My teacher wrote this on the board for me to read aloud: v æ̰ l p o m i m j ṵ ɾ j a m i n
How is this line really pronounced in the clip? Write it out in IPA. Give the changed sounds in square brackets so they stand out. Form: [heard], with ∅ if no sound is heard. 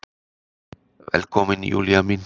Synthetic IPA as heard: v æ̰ l [k] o m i [n] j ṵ [l] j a m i n

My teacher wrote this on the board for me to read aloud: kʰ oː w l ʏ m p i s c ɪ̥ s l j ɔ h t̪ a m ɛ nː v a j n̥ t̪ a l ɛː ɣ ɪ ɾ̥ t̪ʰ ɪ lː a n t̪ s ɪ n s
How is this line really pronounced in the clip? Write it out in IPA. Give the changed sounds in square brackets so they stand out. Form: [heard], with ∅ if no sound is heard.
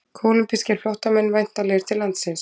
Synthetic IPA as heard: kʰ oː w l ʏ m p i s c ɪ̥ [f] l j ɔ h t̪ a m ɛ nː v a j n̥ t̪ a l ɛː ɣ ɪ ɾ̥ t̪ʰ ɪ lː a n t̪ s ɪ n s

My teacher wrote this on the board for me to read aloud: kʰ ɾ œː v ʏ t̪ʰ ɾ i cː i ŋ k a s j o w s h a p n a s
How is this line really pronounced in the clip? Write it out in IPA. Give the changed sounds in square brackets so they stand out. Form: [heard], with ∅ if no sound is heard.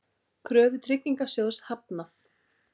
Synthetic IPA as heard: kʰ ɾ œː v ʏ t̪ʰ ɾ [ɪ] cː i ŋ k a s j o w s h a p n a [θ]

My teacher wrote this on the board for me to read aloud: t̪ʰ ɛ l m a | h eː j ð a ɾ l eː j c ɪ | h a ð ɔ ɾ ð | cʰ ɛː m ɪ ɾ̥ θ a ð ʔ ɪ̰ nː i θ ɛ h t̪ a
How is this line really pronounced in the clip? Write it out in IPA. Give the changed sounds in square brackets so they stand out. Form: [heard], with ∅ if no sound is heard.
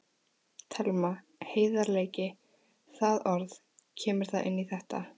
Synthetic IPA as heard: t̪ʰ ɛ l m a | h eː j ð a ɾ l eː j c ɪ | [θ] a ð ɔ ɾ ð | cʰ ɛː m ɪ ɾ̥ θ a ð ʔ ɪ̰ nː i θ ɛ h t̪ a

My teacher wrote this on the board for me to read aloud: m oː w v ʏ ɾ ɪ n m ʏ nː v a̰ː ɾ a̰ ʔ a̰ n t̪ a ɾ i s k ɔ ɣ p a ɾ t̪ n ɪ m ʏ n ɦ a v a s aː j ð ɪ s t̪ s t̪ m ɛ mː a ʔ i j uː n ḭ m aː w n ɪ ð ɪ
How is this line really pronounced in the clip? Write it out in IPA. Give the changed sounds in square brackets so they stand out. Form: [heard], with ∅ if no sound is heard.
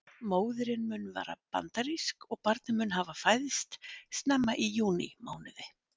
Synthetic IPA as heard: m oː w [ð] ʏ ɾ ɪ n m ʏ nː v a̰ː ɾ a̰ [p] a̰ n t̪ a ɾ i s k ɔ ɣ p a ɾ t̪ n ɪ m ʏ n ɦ a v a [f] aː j ð ɪ s t̪ s t̪ [n] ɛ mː a ʔ i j uː n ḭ m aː w n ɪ ð ɪ

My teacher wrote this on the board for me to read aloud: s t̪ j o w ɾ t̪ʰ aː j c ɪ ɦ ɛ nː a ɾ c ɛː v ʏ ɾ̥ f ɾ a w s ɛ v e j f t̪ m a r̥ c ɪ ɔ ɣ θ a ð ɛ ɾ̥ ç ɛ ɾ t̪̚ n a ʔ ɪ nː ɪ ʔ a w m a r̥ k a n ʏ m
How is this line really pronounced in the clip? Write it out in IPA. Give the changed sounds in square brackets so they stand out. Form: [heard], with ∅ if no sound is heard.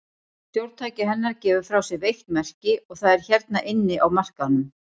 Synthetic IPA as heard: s t̪ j o w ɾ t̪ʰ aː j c ɪ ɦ ɛ nː a ɾ c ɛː v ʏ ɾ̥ f ɾ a w s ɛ v e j [h] t̪ m [ɛ] r̥ c ɪ ɔ ɣ θ a ð ɛ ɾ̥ ç ɛ ɾ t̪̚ n a ʔ ɪ nː ɪ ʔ a w m a r̥ k a n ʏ m

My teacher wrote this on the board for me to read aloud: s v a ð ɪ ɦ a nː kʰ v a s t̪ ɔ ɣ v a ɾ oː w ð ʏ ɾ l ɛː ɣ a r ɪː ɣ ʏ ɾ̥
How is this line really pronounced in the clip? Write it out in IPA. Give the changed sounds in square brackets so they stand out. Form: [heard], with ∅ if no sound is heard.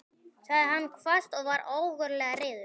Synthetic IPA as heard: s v a ð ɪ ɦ a nː kʰ v a s t̪ ɔ ɣ v a ɾ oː w [ɣ] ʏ ɾ l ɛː ɣ a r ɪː [ð] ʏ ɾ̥

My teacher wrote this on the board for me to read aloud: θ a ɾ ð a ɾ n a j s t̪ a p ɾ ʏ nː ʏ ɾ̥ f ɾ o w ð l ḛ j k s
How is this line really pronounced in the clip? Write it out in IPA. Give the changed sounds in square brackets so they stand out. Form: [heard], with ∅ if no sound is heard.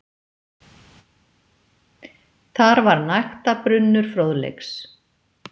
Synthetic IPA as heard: θ a ɾ [v] a ɾ n a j [x] t̪ a p ɾ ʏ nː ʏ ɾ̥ f ɾ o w ð l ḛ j k s

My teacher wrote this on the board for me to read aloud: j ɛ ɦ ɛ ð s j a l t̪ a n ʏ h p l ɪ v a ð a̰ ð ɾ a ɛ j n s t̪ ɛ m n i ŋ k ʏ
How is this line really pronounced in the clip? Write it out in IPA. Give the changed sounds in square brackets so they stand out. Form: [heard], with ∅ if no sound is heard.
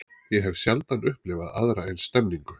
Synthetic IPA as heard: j ɛ ɦ ɛ [v] s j a l t̪ a n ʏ h p l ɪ v a ð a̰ ð ɾ a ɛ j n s t̪ ɛ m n i ŋ k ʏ

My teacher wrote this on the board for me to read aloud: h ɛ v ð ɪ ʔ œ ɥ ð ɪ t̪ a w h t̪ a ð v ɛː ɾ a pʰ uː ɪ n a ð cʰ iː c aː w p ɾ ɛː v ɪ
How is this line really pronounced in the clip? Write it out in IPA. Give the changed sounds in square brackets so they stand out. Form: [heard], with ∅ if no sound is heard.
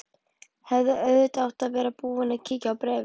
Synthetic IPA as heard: h ɛ v ð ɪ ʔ œ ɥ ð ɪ t̪ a w h t̪ a ð v ɛː ɾ a [p] uː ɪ n a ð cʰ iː c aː w p ɾ ɛː v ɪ

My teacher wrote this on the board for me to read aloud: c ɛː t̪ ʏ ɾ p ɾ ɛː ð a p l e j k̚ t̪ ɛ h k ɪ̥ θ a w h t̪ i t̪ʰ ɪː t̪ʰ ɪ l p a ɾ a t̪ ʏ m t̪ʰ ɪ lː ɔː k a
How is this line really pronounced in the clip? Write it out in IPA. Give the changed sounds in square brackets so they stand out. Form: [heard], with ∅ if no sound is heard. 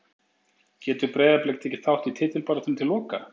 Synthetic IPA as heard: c ɛː t̪ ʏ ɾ p ɾ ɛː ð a p l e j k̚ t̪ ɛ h [c] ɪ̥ θ a w h t̪ i t̪ʰ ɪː [t̪] ɪ l p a ɾ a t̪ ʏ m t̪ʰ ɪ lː ɔː k a

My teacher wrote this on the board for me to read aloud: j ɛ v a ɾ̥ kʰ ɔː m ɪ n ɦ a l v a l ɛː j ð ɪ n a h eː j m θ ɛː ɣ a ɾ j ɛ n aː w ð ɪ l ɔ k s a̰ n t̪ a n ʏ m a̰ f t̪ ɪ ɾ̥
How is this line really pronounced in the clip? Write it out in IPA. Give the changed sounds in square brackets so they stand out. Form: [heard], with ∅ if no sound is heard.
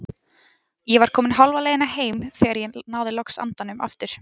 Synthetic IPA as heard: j ɛ v a ɾ̥ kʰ ɔː m ɪ n ɦ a l v a l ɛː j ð ɪ n a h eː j m θ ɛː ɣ a ɾ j ɛ n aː w ð ɪ l ɔ k s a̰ n t̪ a n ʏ m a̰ f t̪ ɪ ɾ̥

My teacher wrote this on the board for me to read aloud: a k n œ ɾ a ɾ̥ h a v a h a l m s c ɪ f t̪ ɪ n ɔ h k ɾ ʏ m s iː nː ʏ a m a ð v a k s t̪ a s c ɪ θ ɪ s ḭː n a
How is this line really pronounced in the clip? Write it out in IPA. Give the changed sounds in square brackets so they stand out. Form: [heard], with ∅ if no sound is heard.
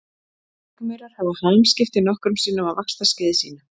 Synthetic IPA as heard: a k [m] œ ɾ a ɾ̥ h a v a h a l m s c ɪ f t̪ ɪ n ɔ h k ɾ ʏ m s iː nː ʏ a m a ð v a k s t̪ a s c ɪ [ð] ɪ s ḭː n a

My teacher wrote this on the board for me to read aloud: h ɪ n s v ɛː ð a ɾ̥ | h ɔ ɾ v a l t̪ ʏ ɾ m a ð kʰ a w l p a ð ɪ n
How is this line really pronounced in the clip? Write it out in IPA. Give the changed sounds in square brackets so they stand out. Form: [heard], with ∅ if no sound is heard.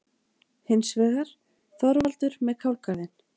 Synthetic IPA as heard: h ɪ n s v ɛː [ɣ] a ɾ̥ | [θ] ɔ ɾ v a l t̪ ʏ ɾ m [ɛ] ð kʰ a w l [k] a ð ɪ n

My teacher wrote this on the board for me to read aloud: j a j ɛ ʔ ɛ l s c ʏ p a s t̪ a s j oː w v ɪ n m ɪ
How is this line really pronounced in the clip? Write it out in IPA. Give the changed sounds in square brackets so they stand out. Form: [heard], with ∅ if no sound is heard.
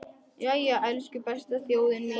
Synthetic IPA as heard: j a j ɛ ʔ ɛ l s c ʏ p [ɛ] s t̪ a [θ] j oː w [ð] ɪ n m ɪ

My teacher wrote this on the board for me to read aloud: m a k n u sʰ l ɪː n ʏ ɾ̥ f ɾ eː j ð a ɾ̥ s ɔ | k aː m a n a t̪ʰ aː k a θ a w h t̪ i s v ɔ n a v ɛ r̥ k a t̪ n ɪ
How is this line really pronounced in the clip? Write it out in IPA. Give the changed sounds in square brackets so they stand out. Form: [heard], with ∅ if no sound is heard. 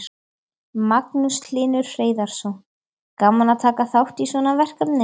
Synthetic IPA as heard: m a k n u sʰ l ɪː n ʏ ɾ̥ f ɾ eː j ð a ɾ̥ s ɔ | k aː m a n a t̪ʰ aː k a θ a w h t̪ i s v ɔ n a v ɛ r̥ k a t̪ n ɪ

